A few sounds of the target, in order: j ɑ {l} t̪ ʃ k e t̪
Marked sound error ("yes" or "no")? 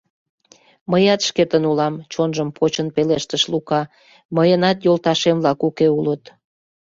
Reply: yes